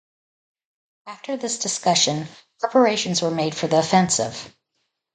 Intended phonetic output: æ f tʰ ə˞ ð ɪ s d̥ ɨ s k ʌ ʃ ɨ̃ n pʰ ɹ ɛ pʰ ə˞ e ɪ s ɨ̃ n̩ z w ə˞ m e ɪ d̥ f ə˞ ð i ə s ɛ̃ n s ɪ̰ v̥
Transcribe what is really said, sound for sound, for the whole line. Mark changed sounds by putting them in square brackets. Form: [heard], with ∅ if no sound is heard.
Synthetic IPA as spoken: æ f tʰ ə˞ ð ɪ s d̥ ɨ s k ʌ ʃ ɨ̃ n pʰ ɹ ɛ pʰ ə˞ e ɪ [ʃ] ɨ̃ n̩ z w ə˞ m e ɪ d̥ f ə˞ ð i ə [f] ɛ̃ n s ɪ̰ v̥